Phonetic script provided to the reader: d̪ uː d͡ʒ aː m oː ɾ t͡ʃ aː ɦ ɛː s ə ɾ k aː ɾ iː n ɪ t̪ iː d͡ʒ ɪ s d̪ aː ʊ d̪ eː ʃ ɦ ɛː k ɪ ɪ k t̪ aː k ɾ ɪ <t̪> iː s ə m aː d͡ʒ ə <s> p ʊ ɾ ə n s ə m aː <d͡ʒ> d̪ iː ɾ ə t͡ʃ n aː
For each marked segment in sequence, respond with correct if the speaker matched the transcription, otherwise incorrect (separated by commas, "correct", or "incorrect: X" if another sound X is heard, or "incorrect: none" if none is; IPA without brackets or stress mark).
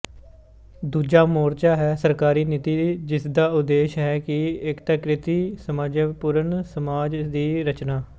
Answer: correct, incorrect: none, correct